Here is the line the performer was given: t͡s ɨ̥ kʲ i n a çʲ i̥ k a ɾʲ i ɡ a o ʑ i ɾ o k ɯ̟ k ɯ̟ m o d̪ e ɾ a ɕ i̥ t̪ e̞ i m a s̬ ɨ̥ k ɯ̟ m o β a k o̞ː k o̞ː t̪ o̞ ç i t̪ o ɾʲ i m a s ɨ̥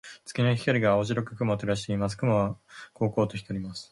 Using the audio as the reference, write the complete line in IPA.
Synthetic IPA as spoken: t͡s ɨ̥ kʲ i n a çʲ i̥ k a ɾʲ i ɡ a o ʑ i ɾ o k ɯ̟ k ɯ̟ m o t̪ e ɾ a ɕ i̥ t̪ e̞ i m a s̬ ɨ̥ k ɯ̟ m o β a k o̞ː k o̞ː t̪ o̞ ç i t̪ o ɾʲ i m a s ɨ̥